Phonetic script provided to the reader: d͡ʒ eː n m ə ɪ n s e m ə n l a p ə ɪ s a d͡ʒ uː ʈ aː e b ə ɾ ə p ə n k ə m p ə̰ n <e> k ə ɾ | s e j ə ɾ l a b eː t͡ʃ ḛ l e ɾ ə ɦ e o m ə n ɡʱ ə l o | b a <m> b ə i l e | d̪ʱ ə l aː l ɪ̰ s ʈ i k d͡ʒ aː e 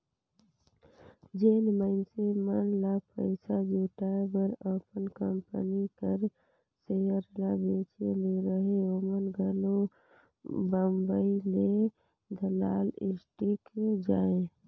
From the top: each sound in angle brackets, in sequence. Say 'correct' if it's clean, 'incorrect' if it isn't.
incorrect: i, correct

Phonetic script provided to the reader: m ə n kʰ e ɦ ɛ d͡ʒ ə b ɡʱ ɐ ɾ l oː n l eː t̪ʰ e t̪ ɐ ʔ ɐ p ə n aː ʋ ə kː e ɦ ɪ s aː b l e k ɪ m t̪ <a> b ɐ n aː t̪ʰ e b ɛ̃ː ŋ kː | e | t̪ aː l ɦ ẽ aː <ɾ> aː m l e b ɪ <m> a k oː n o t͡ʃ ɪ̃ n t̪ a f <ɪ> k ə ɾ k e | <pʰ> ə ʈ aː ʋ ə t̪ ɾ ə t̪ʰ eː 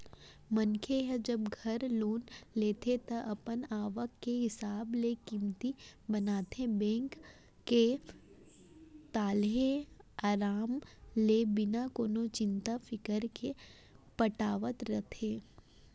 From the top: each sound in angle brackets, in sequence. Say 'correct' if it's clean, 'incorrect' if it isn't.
incorrect: i, correct, incorrect: n, correct, incorrect: p

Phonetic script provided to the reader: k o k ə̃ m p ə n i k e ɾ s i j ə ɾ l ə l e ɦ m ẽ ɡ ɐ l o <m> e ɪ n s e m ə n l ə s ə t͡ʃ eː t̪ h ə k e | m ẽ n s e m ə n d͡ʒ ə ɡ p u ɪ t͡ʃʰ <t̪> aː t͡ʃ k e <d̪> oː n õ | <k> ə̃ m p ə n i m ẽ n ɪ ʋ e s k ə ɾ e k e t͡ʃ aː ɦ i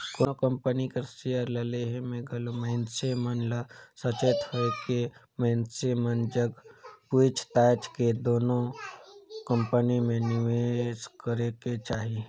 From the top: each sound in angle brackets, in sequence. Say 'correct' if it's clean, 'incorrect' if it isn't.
correct, correct, correct, correct

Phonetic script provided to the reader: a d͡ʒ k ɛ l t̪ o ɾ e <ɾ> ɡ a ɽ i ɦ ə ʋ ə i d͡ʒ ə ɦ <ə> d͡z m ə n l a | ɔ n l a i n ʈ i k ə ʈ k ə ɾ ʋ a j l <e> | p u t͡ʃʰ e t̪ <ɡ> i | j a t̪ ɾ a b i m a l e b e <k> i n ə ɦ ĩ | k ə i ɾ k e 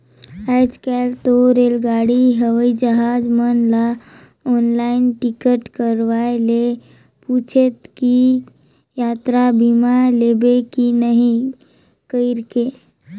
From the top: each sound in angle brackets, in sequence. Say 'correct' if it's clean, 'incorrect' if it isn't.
incorrect: l, incorrect: a, correct, incorrect: k, correct

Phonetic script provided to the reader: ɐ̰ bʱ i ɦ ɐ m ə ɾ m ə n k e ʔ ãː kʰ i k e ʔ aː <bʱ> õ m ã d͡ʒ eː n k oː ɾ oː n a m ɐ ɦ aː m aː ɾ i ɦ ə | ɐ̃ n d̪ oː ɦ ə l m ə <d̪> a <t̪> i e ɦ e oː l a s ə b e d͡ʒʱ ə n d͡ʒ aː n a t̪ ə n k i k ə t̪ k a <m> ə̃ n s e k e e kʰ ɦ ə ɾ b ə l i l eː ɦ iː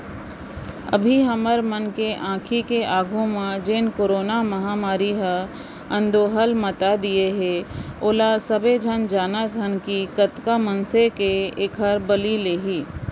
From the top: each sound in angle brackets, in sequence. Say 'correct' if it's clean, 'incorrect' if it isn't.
incorrect: ɡʱ, incorrect: t̪, incorrect: d̪, correct

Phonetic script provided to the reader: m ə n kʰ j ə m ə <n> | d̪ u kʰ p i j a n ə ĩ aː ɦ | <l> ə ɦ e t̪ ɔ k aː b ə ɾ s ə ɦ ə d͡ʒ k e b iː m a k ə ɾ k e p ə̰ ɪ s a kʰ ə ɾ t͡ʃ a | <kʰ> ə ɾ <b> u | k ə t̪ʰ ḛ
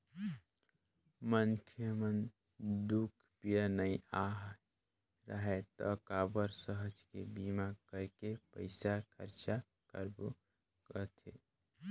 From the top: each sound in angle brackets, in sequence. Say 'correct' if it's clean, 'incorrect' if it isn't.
correct, incorrect: ɾ, incorrect: k, correct

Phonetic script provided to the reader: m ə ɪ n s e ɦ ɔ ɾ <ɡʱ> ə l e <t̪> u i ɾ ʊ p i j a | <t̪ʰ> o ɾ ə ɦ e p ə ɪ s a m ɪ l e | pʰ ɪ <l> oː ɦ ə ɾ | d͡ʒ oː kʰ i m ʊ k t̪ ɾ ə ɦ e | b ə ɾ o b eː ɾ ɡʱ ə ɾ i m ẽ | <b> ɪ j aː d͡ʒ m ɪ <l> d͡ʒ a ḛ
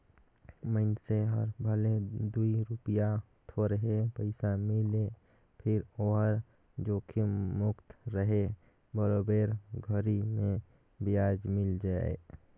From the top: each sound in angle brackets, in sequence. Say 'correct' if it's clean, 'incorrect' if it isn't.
incorrect: bʱ, incorrect: d̪, correct, incorrect: ɾ, correct, correct

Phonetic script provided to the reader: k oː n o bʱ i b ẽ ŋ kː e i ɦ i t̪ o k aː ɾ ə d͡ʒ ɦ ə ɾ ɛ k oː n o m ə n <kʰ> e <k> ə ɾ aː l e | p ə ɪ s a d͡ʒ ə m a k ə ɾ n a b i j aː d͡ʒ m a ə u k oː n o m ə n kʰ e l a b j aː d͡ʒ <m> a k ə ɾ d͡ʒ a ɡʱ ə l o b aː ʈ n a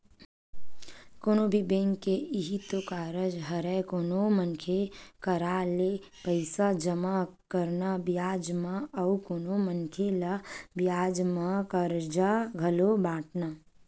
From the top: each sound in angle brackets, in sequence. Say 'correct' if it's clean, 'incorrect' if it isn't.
correct, correct, correct

